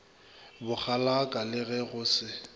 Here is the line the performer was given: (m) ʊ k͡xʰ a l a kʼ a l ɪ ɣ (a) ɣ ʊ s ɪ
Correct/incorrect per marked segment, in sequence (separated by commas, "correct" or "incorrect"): incorrect, incorrect